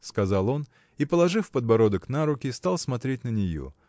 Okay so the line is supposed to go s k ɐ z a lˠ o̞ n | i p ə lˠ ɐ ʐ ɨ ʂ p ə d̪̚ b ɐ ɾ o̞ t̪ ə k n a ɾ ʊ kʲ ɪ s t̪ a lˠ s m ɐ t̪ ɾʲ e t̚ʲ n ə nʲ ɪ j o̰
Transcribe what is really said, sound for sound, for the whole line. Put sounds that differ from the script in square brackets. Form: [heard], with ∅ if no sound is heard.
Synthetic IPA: s k ɐ z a lˠ o̞ n | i p ə lˠ ɐ ʐ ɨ [f] p ə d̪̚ b ɐ ɾ o̞ [d̪] ə k n a ɾ ʊ kʲ ɪ s t̪ a lˠ s m ɐ t̪ ɾʲ e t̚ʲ n ə nʲ ɪ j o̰

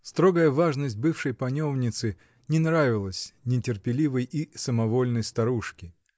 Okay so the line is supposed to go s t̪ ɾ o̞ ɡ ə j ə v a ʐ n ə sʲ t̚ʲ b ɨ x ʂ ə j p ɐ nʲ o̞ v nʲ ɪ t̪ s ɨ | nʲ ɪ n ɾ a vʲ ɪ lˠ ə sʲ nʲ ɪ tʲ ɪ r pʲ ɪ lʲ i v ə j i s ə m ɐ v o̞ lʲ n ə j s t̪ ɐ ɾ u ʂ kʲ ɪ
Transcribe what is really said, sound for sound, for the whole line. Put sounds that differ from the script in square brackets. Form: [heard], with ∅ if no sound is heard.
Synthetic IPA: s t̪ ɾ o̞ ɡ ə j ə v a ʐ n ə sʲ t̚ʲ b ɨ [f] ʂ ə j p ɐ nʲ o̞ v nʲ ɪ t̪ s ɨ | nʲ ɪ n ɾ a vʲ ɪ lˠ ə sʲ nʲ ɪ tʲ ɪ r pʲ ɪ lʲ i v ə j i s ə m ɐ v o̞ lʲ n ə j s t̪ ɐ ɾ u ʂ kʲ ɪ

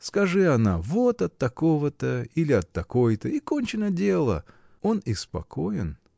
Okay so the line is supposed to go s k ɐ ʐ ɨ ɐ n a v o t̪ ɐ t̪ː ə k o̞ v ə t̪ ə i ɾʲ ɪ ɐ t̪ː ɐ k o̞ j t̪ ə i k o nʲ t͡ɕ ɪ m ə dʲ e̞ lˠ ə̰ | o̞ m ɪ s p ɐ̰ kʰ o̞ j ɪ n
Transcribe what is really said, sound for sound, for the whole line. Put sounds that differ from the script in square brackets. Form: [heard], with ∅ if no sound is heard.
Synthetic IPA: s k ɐ ʐ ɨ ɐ n a v o t̪ ɐ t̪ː [ɐ] k o̞ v ə t̪ ə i [lʲ] ɪ ɐ t̪ː ɐ k o̞ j t̪ ə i k o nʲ t͡ɕ ɪ [n] ə dʲ e̞ lˠ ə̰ | o̞ [n] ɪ s p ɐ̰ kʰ o̞ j ɪ n

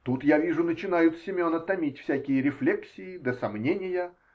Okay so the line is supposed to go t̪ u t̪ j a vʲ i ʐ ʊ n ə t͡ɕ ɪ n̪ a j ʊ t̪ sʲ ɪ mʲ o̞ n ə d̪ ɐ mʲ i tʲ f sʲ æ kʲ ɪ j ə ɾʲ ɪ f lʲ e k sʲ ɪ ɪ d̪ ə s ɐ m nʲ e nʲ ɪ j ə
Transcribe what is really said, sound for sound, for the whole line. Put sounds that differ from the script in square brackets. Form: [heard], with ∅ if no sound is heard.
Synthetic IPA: t̪ u t̪ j a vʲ i ʐ ʊ n ə t͡ɕ ɪ n̪ a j ʊ t̪ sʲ ɪ mʲ o̞ n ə [t̪] ɐ mʲ i tʲ f sʲ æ kʲ ɪ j ə ɾʲ ɪ f lʲ e k sʲ ɪ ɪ d̪ ə s ɐ m nʲ e nʲ ɪ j ə

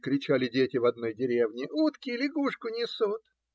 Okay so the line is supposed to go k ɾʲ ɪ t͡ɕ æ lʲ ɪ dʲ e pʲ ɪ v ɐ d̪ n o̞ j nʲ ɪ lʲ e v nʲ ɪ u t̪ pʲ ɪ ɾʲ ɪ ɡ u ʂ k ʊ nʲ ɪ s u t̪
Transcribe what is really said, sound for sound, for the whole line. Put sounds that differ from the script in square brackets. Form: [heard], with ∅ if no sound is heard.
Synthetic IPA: k ɾʲ ɪ t͡ɕ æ lʲ ɪ dʲ e [tʲ] ɪ v ɐ d̪ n o̞ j [dʲ] ɪ [ɾʲ] e v nʲ ɪ u t̪ [kʲ] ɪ [lʲ] ɪ ɡ u ʂ k ʊ nʲ ɪ s u t̪

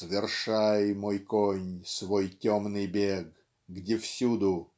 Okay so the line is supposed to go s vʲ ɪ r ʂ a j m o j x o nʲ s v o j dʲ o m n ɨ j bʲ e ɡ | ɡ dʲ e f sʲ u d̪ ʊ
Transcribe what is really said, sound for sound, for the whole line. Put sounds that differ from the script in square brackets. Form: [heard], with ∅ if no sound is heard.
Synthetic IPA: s vʲ ɪ r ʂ a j m o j [k] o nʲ s v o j [tʲ] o m n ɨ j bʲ e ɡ | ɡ dʲ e f sʲ u d̪ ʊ

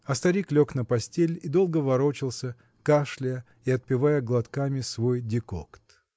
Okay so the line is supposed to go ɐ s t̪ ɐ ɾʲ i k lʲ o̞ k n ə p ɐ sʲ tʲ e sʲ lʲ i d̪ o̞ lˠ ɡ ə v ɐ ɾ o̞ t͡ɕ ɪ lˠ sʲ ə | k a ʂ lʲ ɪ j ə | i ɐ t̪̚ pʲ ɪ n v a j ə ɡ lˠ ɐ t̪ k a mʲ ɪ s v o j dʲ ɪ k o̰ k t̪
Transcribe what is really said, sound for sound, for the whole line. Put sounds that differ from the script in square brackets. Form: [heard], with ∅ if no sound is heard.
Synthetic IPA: ɐ s t̪ ɐ ɾʲ i k lʲ o̞ k n ə p ɐ sʲ tʲ e [∅] lʲ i d̪ o̞ lˠ ɡ ə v ɐ ɾ o̞ t͡ɕ ɪ lˠ sʲ ə | k a ʂ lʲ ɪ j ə | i ɐ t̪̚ pʲ ɪ [∅] v a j ə ɡ lˠ ɐ t̪ k a mʲ ɪ s v o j dʲ ɪ k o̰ k t̪

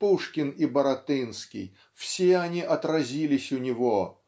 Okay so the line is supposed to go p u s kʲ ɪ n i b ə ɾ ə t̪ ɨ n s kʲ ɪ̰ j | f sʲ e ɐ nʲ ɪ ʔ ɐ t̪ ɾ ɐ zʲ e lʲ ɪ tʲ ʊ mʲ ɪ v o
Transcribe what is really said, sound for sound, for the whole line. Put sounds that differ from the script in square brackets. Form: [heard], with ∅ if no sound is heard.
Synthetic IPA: p u [ʂ] kʲ ɪ n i b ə ɾ [ɐ] t̪ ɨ n s kʲ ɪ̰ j | f sʲ e ɐ nʲ [i] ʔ ɐ t̪ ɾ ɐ zʲ [i] lʲ ɪ [sʲ] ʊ [nʲ] ɪ v o

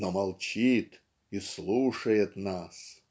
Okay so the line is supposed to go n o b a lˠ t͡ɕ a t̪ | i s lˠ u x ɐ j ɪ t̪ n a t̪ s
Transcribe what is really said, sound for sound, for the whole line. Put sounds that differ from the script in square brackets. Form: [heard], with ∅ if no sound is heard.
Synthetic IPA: n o [m] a lˠ t͡ɕ [i] t̪ | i s lˠ u [ʂ] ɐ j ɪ t̪ n a [∅] s

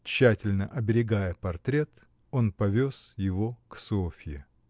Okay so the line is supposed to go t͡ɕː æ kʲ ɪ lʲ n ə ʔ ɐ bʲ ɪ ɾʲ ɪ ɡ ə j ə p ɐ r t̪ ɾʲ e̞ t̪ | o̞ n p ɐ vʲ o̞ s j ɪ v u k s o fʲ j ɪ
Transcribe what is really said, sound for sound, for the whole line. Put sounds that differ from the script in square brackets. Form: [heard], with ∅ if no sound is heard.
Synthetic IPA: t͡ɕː æ [tʲ] ɪ lʲ n ə ʔ ɐ bʲ ɪ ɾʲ ɪ ɡ [a] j ə p ɐ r t̪ ɾʲ e̞ t̪ | o̞ n p ɐ vʲ o̞ s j ɪ v [o] k s o fʲ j ɪ

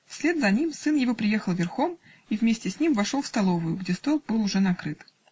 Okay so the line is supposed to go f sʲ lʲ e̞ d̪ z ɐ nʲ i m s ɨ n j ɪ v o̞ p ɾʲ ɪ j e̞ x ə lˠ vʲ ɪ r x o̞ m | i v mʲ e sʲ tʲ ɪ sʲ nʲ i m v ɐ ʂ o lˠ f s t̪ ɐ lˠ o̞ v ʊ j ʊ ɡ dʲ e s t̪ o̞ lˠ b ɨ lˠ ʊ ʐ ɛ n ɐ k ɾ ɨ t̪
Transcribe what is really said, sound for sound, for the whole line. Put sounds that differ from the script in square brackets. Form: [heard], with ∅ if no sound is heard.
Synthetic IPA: f sʲ lʲ e̞ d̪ z ɐ nʲ i m s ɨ n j ɪ v o̞ p ɾʲ ɪ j e̞ x ə lˠ vʲ ɪ r x o̞ m | i v mʲ e sʲ tʲ ɪ sʲ nʲ i m v ɐ ʂ o lˠ f s t̪ ɐ lˠ o̞ v ʊ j ʊ ɡ dʲ e s t̪ o̞ lˠ b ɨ lˠ ʊ ʐ ɛ n ɐ k ɾ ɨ t̪

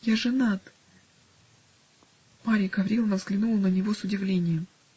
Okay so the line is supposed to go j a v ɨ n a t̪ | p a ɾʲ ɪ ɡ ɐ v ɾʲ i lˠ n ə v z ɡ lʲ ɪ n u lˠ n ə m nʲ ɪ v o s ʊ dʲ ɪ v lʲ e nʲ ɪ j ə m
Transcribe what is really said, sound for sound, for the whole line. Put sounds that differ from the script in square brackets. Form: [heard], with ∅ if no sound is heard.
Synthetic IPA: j a [ʐ] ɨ n a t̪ | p a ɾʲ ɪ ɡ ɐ v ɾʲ i lˠ n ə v z ɡ lʲ ɪ n u lˠ n ə [∅] nʲ ɪ v o s ʊ dʲ ɪ v lʲ e nʲ ɪ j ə m

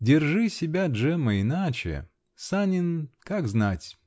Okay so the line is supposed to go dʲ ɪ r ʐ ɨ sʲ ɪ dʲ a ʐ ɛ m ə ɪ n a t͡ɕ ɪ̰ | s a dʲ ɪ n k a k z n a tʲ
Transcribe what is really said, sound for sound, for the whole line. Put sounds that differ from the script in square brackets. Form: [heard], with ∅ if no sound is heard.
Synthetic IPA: dʲ ɪ r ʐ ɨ sʲ ɪ [bʲ] a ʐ ɛ m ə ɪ n a t͡ɕ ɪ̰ | s a [nʲ] ɪ n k a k z n a tʲ

